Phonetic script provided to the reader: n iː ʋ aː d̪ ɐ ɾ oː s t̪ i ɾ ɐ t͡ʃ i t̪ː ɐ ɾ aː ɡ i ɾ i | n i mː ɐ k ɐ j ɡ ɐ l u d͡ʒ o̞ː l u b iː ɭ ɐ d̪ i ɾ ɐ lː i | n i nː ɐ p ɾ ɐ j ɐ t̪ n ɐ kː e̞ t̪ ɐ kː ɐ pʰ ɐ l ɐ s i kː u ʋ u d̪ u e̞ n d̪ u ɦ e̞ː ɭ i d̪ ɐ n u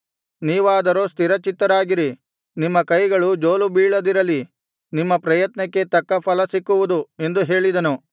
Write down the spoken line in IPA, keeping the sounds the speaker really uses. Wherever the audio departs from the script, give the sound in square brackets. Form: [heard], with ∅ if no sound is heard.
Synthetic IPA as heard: n iː ʋ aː d̪ ɐ ɾ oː s t̪ i ɾ ɐ t͡ʃ i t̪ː ɐ ɾ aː ɡ i ɾ i | n i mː ɐ k ɐ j ɡ ɐ [ɭ] u d͡ʒ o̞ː l u b iː ɭ ɐ d̪ i ɾ ɐ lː i | n i [mː] ɐ p ɾ ɐ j ɐ t̪ n ɐ kː e̞ t̪ ɐ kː ɐ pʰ ɐ l ɐ s i kː u ʋ u d̪ u e̞ n d̪ u ɦ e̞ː ɭ i d̪ ɐ n u